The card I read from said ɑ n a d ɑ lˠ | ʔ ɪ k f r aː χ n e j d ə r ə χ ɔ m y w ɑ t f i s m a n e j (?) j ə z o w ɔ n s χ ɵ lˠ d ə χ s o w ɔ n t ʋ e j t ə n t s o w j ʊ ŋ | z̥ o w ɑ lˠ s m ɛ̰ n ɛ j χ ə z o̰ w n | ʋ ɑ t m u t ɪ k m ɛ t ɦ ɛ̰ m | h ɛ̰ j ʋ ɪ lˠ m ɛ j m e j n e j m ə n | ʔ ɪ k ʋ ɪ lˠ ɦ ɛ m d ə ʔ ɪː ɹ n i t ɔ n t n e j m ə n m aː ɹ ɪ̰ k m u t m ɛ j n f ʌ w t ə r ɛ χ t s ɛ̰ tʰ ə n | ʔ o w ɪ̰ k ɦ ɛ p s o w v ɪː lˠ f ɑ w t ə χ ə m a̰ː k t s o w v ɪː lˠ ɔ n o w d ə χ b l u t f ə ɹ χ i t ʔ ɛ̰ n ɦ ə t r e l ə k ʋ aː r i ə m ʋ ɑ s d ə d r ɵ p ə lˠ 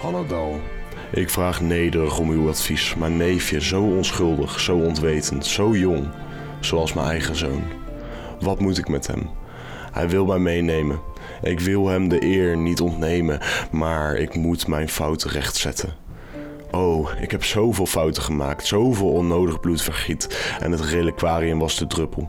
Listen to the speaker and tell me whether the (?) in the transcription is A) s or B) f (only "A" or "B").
B